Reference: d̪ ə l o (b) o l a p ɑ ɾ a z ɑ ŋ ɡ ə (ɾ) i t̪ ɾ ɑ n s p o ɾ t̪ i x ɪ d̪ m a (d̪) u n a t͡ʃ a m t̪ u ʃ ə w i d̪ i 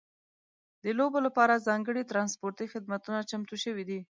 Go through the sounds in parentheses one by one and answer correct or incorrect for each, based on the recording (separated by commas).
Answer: correct, incorrect, incorrect